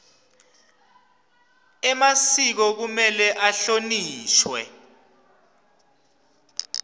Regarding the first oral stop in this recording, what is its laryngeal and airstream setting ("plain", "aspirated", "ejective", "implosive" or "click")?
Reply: plain